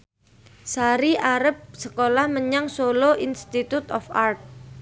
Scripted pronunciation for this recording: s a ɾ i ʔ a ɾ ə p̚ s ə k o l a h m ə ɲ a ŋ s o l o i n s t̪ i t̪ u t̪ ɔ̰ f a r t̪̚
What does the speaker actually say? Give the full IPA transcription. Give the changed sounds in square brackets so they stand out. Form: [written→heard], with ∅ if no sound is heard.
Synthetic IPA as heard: s a ɾ i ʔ a ɾ ə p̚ s ə k o l a h m ə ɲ a ŋ s o l o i n s t̪ i t̪ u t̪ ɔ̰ f a r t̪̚